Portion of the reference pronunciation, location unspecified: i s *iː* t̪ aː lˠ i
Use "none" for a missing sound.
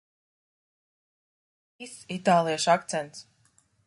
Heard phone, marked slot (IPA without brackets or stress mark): i